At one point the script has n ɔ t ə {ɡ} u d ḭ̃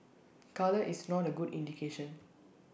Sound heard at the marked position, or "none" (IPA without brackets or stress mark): ɡ